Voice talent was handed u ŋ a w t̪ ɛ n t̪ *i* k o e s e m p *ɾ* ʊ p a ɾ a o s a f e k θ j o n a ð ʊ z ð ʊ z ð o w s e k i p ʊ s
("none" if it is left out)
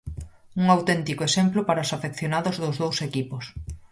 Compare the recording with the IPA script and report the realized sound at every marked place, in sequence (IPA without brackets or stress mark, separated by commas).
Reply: i, l